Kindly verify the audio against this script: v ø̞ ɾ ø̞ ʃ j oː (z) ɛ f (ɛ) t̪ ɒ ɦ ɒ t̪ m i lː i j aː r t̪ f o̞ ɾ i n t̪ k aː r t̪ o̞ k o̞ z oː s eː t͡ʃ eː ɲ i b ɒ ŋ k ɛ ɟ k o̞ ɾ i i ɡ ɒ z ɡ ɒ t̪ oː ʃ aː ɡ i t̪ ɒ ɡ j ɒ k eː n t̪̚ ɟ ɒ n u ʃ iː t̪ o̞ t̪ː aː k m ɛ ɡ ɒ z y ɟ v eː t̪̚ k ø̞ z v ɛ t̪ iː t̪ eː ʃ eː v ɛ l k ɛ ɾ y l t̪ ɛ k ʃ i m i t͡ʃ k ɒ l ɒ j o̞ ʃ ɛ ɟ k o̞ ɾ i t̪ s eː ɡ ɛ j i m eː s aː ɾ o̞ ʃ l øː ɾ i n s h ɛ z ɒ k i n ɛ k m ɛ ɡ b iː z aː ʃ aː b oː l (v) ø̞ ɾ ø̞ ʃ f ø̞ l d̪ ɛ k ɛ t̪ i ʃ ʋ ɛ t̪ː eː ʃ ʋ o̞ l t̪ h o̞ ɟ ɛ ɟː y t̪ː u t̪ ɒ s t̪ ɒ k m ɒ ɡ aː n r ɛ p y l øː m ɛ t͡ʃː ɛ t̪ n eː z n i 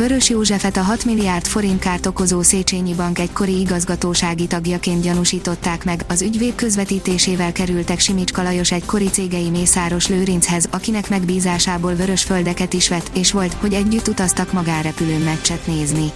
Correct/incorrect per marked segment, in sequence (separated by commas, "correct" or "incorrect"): incorrect, correct, correct